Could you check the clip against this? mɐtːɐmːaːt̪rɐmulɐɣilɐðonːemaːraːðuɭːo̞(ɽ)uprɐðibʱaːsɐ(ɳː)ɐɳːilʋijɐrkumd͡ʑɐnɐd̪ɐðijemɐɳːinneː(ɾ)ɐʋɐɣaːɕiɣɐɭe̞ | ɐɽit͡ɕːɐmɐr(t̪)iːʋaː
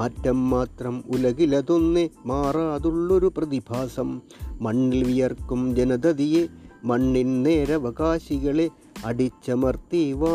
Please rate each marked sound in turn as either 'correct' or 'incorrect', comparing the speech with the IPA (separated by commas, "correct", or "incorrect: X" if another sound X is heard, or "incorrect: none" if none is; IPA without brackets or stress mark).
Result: incorrect: ɾ, incorrect: mː, correct, correct